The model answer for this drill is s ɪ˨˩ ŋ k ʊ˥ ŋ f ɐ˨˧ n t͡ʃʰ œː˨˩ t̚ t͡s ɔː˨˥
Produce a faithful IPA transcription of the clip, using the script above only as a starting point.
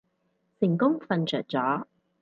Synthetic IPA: s ɪ˨˩ ŋ k ʊ˥ ŋ f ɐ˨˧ n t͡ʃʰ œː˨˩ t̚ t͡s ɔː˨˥